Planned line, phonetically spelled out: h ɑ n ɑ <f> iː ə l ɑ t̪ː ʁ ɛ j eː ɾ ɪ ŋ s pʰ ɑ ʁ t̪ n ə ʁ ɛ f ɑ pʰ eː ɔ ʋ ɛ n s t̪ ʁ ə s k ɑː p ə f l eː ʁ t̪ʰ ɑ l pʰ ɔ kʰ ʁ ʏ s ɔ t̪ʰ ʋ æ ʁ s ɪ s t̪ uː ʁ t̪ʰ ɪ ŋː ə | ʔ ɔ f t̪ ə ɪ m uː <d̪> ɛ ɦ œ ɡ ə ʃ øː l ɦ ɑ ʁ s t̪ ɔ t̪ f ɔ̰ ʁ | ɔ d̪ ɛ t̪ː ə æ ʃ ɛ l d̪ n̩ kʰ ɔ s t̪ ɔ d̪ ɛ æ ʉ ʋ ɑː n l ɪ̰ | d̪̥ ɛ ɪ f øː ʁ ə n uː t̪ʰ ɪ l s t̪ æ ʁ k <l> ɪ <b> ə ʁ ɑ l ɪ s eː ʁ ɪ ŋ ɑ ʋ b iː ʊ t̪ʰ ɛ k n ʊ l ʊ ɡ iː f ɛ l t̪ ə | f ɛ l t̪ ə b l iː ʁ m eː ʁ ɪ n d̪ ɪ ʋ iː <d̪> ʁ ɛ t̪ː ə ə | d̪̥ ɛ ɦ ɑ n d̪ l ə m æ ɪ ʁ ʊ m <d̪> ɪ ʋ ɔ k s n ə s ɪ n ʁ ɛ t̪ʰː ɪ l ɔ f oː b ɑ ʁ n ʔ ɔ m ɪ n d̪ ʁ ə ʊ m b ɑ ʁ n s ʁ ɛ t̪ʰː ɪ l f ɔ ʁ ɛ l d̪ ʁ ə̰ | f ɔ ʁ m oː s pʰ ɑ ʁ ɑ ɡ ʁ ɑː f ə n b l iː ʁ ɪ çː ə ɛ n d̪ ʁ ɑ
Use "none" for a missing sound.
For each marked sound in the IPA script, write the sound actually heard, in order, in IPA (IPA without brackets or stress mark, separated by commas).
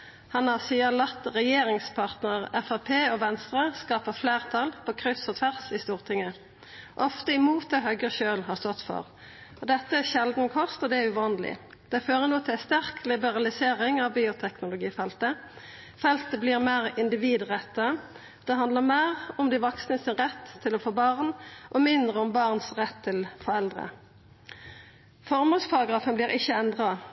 s, t̪, l, b, d̪, d̪